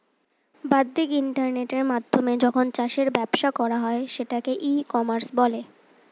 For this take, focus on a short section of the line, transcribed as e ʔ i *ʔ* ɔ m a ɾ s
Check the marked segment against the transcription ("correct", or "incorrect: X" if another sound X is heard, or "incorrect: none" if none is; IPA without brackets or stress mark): incorrect: k